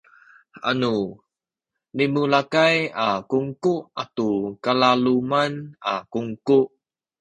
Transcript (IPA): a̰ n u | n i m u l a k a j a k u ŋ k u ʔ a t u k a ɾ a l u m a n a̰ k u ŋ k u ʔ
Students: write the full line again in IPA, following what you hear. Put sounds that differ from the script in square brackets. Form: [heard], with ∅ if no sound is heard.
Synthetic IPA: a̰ n u | n i m u l a k a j a k u ŋ k u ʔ a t u k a [l] a l u m a n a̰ k u ŋ k u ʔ